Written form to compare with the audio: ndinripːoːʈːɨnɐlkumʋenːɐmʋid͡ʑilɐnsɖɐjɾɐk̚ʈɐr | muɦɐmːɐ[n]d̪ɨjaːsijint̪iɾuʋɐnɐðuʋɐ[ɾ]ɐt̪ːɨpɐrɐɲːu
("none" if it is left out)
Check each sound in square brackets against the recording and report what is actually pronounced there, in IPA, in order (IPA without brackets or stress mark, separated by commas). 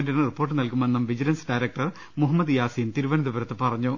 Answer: none, ɾ